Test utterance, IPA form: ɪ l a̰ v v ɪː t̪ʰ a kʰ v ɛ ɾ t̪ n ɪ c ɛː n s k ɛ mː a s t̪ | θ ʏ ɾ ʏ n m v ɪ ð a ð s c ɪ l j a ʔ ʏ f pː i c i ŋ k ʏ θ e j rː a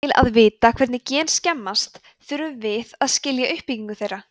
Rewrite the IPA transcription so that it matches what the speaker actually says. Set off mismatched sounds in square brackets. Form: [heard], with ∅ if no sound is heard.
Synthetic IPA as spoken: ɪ l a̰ [ð] v ɪː [t̪] a kʰ v ɛ ɾ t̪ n ɪ c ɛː n s [c] ɛ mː a s t̪ | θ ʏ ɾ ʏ [∅] m v ɪ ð a ð s c ɪ l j a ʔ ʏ [h] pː i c i ŋ k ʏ θ e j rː a

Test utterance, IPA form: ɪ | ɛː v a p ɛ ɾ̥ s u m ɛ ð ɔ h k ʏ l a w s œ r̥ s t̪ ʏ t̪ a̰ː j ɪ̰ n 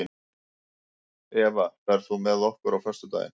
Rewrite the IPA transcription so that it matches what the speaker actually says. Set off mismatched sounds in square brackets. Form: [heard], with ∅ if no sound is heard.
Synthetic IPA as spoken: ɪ | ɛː v a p ɛ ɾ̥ [θ] u m ɛ ð ɔ h k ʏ [ɾ] a w [f] œ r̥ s t̪ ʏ t̪ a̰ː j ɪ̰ n

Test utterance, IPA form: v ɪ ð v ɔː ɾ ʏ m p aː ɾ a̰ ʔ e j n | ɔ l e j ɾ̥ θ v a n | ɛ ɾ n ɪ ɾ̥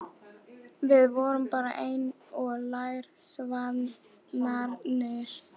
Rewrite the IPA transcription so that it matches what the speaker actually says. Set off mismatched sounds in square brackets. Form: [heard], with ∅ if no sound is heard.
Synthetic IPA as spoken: v ɪ ð v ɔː ɾ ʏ m p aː ɾ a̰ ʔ e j n | ɔ l [a] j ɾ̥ [s] v a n | [a] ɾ n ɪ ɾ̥

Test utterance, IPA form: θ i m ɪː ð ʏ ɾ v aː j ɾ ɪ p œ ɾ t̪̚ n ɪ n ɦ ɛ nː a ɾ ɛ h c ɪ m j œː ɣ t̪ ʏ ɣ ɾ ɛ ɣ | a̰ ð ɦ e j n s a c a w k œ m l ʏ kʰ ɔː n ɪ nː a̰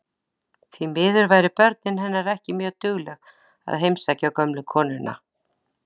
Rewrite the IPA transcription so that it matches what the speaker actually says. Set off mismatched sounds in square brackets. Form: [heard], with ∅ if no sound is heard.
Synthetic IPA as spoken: θ i m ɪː ð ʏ ɾ v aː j ɾ ɪ p œ ɾ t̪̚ n ɪ n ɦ ɛ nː a ɾ ɛ h c ɪ m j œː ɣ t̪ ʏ ɣ [l] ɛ ɣ | a̰ ð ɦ e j [m] s a c a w k œ m l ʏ kʰ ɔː n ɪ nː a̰

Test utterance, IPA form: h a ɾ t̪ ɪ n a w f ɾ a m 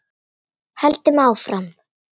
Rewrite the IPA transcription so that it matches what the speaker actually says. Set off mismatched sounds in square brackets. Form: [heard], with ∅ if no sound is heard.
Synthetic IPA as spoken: h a [l] t̪ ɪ [m] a w f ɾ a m

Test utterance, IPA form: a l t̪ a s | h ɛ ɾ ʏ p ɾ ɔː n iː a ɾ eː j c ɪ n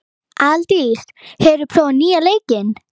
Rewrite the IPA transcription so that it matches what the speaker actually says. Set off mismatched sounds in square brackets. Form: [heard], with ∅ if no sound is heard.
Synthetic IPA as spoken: a l t̪ [i] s | h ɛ ɾ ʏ [pʰ] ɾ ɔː n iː a [l] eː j c ɪ n

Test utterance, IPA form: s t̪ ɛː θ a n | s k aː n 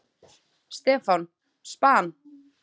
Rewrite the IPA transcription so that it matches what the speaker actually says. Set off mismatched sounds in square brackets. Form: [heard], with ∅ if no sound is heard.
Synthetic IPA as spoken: s t̪ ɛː [f] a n | s [p] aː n

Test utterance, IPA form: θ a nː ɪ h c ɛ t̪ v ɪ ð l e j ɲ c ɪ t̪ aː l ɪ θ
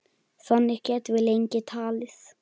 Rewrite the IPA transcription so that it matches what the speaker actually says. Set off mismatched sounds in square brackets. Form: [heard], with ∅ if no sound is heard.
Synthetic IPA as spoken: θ a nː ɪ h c ɛ t̪ v ɪ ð l e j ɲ c ɪ [t̪ʰ] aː l ɪ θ

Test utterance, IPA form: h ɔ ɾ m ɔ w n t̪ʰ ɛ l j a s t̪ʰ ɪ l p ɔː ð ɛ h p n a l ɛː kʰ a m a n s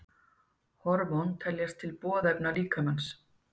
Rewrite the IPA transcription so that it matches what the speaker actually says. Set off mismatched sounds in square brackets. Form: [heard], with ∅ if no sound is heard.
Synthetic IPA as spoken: h ɔ ɾ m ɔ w n t̪ʰ ɛ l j a s t̪ʰ ɪ l p ɔː ð ɛ [∅] p n a l [iː] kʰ a m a n s

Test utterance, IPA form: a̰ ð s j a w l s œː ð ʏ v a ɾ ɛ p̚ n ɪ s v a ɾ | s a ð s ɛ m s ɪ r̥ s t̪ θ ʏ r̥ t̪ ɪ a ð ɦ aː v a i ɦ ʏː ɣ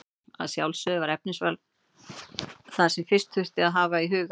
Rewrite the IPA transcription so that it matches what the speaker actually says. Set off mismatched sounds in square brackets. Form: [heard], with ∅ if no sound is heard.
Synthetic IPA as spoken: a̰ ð s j a w l s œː ð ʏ v a ɾ ɛ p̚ n ɪ s v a [l] | [θ] a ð s ɛ m [f] ɪ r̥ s t̪ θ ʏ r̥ t̪ ɪ a ð ɦ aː v a i ɦ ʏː ɣ

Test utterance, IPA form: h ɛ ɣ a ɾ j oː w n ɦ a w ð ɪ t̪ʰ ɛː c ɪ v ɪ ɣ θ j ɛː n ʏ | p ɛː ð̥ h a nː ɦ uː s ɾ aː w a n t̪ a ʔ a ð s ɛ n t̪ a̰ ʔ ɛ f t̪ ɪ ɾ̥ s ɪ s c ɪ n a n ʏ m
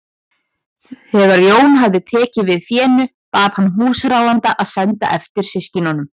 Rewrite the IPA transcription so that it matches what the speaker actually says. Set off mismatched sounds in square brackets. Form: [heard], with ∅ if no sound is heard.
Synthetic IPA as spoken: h ɛ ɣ a ɾ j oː w n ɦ a [v] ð ɪ t̪ʰ ɛː c ɪ v ɪ [ð] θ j ɛː n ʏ | p [aː] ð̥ h a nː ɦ uː s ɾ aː w a n t̪ a ʔ a ð s ɛ n t̪ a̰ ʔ ɛ f t̪ ɪ ɾ̥ s ɪ s c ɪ n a n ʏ m

